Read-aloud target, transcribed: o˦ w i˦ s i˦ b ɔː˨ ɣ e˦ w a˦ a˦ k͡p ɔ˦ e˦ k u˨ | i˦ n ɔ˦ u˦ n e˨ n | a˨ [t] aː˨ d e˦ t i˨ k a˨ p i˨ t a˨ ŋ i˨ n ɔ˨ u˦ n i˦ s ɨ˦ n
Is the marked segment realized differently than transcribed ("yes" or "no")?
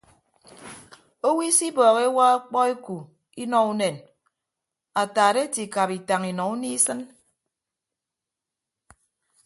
no